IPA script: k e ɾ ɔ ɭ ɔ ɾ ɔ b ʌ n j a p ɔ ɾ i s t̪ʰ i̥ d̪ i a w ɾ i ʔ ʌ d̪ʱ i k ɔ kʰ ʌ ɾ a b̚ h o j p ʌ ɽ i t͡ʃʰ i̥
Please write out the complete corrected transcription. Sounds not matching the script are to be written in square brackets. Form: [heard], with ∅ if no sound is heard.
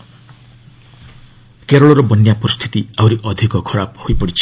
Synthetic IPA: k e ɾ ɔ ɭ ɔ ɾ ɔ b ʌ n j a p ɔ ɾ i s t̪ʰ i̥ [t̪] i a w ɾ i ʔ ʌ d̪ʱ i k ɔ kʰ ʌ ɾ a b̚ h o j p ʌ ɽ i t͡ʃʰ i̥

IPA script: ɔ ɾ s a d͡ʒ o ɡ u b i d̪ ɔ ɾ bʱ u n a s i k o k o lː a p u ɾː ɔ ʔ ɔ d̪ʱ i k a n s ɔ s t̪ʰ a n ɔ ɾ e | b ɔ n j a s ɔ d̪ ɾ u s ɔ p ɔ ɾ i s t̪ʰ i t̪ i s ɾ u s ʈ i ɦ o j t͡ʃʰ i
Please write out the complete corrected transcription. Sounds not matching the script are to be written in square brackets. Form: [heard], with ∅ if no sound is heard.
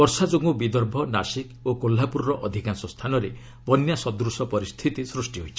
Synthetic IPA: ɔ ɾ s a d͡ʒ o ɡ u b i d̪ ɔ ɾ bʱ [ɔ] n a s i k o k o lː a p u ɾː ɔ ʔ ɔ d̪ʱ i k a n s ɔ s t̪ʰ a n ɔ ɾ e | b ɔ n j a s ɔ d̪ ɾ u s ɔ p ɔ ɾ i s t̪ʰ i t̪ i s ɾ u s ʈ i ɦ o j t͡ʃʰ i

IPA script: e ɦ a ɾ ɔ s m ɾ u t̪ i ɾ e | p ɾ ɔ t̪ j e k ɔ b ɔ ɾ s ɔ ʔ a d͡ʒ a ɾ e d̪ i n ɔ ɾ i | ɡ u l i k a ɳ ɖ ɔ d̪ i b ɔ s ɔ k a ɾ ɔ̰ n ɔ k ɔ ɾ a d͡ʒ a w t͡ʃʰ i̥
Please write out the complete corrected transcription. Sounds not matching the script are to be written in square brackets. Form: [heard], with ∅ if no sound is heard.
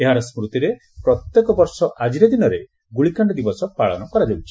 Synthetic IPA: e ɦ a ɾ ɔ s m ɾ u t̪ i ɾ e | p ɾ ɔ t̪ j e k ɔ b ɔ ɾ s ɔ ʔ a d͡ʒ [i] ɾ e d̪ i n ɔ ɾ [e] | ɡ u [ɭ] i k a ɳ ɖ ɔ d̪ i b ɔ s ɔ [p] a [ɭ] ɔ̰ n ɔ k ɔ ɾ a d͡ʒ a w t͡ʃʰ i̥

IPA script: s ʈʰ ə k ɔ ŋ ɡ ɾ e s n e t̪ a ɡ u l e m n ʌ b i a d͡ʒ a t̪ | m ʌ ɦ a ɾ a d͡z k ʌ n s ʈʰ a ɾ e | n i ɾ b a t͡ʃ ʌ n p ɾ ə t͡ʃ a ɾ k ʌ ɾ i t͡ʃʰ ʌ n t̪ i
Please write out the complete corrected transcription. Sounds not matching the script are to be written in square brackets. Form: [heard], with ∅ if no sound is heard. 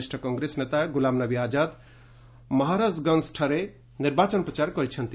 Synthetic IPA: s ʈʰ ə k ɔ ŋ ɡ ɾ e s n e t̪ a ɡ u l [a] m n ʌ b i a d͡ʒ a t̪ | m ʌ ɦ a ɾ a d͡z [ɡ] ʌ n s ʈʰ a ɾ e | n i ɾ b a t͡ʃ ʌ n p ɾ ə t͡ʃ a ɾ k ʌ ɾ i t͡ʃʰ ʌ n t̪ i

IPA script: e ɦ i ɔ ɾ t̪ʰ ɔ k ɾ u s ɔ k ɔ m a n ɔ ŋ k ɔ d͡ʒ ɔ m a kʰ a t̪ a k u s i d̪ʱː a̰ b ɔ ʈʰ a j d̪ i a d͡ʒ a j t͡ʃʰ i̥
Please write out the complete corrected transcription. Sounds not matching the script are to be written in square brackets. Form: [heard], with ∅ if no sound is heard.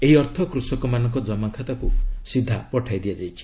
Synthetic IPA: e ɦ i ɔ ɾ t̪ʰ ɔ k ɾ u s ɔ k ɔ m a n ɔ ŋ k ɔ d͡ʒ ɔ m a kʰ a t̪ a k u s i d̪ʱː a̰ [p] ɔ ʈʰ a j d̪ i a d͡ʒ a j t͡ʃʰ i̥

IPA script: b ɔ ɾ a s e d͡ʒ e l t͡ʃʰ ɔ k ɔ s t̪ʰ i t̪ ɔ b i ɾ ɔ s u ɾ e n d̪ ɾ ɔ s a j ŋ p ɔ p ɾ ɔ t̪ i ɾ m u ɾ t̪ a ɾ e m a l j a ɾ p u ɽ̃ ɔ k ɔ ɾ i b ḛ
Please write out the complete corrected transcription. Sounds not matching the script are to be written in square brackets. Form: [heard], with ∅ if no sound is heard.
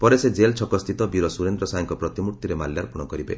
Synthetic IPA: [p] ɔ ɾ [e] s e d͡ʒ e l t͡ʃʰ ɔ k ɔ s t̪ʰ i t̪ ɔ b i ɾ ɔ s u ɾ e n d̪ ɾ ɔ s a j ŋ [k] ɔ p ɾ ɔ t̪ i [∅] m u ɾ t̪ [i] ɾ e m a l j a ɾ p u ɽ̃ ɔ k ɔ ɾ i b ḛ

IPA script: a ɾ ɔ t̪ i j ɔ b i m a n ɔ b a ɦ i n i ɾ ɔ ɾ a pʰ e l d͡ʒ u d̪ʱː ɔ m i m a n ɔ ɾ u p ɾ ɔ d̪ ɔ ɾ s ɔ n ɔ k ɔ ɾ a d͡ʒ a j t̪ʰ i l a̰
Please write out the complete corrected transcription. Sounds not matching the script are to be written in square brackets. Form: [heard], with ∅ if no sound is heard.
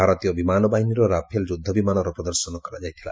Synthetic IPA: a ɾ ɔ t̪ i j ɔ b i m a n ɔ b a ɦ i n i ɾ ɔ ɾ a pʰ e l d͡ʒ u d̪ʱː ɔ [b] i m a n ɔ ɾ [ɔ] p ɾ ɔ d̪ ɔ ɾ s ɔ n ɔ k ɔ ɾ a d͡ʒ a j t̪ʰ i l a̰

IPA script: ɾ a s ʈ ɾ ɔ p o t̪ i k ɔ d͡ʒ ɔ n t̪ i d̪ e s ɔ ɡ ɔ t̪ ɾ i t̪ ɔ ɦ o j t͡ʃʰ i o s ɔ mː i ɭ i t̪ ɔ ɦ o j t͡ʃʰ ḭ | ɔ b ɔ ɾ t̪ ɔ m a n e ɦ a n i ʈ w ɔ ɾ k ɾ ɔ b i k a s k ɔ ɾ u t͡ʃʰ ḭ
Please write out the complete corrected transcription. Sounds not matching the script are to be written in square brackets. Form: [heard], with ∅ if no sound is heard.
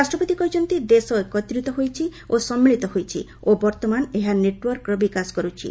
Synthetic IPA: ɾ a s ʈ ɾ ɔ p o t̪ i k ɔ d͡ʒ ɔ n t̪ i d̪ e s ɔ [k] ɔ t̪ ɾ i t̪ ɔ ɦ o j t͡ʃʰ i o s ɔ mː i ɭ i t̪ ɔ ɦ o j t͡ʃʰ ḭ | [o] b ɔ ɾ t̪ ɔ m a n e ɦ a n [e] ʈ w ɔ ɾ k ɾ ɔ b i k a s k ɔ ɾ u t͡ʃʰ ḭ

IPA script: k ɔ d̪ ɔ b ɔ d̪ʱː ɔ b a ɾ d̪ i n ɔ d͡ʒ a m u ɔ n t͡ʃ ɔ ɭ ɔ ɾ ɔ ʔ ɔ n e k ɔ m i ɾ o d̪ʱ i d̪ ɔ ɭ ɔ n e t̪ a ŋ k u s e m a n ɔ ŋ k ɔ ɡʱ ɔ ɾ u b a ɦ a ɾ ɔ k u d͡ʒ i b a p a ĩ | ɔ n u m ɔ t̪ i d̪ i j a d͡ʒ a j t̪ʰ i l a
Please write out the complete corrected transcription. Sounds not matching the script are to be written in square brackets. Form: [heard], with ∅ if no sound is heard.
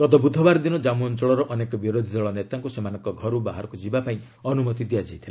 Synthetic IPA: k ɔ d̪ ɔ b [u] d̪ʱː ɔ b a ɾ d̪ i n ɔ d͡ʒ a m u ɔ n t͡ʃ ɔ ɭ ɔ ɾ ɔ ʔ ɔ n e k ɔ [b] i ɾ o d̪ʱ i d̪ ɔ ɭ ɔ n e t̪ a ŋ k u s e m a n ɔ ŋ k ɔ ɡʱ ɔ ɾ u b a ɦ a ɾ ɔ k u d͡ʒ i b a p a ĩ | ɔ n u m ɔ t̪ i d̪ i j a d͡ʒ a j t̪ʰ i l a

